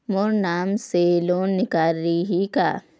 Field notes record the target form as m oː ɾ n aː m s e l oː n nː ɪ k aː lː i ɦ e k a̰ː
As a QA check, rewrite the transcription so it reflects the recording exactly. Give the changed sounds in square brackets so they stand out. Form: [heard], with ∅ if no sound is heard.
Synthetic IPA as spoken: m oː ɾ n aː m s e l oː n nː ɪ k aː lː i ɦ [i] k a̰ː